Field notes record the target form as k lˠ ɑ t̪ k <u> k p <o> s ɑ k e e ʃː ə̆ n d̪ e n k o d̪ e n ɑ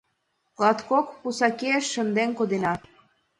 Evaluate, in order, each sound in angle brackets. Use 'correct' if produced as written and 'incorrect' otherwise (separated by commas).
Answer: incorrect, incorrect